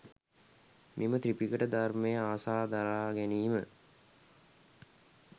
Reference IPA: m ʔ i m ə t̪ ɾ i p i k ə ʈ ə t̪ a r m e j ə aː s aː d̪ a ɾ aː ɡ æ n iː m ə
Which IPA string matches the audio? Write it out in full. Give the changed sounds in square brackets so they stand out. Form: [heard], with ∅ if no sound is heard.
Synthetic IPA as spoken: m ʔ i m ə t̪ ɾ i p i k ə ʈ ə [d̪] a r m e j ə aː s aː d̪ a ɾ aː ɡ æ n iː m ə